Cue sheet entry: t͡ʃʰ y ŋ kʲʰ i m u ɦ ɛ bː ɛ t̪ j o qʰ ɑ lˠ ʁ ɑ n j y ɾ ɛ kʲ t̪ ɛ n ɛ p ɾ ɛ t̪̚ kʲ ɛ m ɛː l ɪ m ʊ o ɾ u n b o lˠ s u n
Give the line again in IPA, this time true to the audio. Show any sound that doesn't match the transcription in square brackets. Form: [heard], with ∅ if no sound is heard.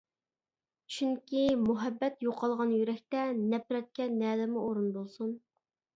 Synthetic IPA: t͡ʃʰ y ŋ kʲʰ i m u ɦ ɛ bː ɛ t̪ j o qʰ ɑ lˠ ʁ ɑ n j y ɾ ɛ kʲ t̪ ɛ n ɛ p ɾ ɛ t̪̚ kʲ ɛ [n] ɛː l ɪ m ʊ o ɾ u n b o lˠ s u n